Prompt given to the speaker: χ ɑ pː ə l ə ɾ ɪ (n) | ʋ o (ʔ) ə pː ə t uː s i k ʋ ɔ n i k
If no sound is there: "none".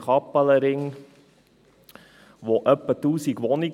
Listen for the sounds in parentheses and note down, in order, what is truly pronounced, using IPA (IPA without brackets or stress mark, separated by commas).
ŋ, ʔ